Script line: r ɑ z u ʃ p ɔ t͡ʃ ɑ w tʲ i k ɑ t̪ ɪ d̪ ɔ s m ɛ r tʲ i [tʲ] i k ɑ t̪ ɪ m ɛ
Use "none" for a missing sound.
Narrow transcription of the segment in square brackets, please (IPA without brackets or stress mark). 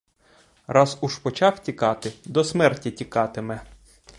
tʲ